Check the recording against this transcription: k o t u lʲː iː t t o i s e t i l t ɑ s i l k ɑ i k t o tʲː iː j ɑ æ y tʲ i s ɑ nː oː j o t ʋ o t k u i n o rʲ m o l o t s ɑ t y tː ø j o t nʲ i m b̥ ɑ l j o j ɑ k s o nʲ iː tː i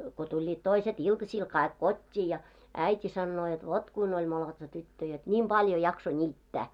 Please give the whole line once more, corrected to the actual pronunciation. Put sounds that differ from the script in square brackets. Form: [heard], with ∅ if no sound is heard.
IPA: k o t u lʲː iː t t o i s e t i l t ɑ s i l k ɑ i k [k] o tʲː iː j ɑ æ [i] tʲ i s ɑ nː oː j o t ʋ o t k u i n o [lʲ] m o l o t s ɑ t y tː ø j o t nʲ i m b̥ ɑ l j o j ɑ k s o nʲ iː tː [æ]